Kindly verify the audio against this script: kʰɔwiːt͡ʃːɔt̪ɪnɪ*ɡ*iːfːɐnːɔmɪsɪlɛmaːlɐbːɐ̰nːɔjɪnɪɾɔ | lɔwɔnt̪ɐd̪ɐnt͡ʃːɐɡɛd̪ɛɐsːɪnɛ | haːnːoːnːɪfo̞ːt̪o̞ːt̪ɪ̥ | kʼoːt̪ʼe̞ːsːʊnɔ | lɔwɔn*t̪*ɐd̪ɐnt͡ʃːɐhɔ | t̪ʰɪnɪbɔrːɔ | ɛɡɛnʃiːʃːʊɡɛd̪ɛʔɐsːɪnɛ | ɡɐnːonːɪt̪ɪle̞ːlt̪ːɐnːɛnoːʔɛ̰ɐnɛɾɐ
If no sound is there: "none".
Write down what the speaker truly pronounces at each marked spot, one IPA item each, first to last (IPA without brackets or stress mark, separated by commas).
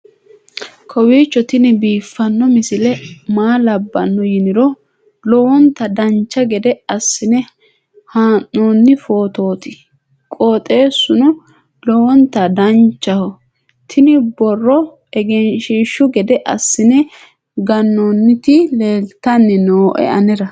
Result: b, t̪